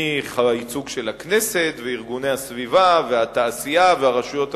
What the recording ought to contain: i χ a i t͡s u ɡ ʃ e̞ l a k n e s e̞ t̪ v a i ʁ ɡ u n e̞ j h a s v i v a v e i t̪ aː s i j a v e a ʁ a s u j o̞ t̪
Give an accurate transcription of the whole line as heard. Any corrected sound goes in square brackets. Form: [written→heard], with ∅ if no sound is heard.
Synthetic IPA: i χ a i t͡s u ɡ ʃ e̞ l a k n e s e̞ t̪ v [a→e] i ʁ ɡ u n e̞ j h a s v i v a v e [i→a] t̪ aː s i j a v e a ʁ a [s→ʃ] u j o̞ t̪